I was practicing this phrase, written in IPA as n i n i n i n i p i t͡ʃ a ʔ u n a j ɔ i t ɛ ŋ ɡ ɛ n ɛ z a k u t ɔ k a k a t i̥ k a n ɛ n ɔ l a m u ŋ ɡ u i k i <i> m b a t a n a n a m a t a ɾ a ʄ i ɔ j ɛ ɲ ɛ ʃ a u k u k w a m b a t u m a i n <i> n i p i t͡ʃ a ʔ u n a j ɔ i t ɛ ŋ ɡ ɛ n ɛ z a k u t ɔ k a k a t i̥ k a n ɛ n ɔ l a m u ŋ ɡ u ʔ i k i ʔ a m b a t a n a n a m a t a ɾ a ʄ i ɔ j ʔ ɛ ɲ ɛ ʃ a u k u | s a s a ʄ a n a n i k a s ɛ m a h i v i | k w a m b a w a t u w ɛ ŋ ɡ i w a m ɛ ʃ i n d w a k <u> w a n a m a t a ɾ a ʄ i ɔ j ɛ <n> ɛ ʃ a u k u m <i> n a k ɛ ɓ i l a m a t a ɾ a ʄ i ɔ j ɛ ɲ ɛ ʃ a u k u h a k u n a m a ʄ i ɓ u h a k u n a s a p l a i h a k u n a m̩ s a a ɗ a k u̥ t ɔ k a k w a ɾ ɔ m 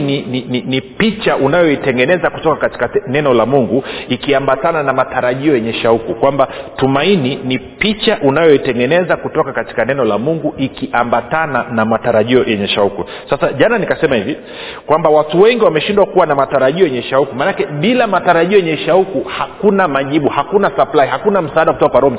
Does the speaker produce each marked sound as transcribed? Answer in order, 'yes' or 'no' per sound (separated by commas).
no, yes, yes, no, no